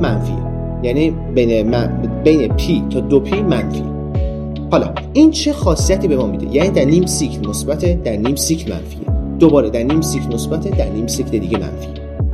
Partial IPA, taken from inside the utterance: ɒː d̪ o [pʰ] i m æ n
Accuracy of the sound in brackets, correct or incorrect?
correct